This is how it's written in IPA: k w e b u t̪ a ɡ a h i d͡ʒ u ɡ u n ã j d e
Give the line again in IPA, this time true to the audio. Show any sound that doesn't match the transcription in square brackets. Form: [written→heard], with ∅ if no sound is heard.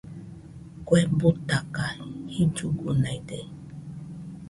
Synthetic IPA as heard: k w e b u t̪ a [ɡ→k] a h i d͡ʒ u ɡ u n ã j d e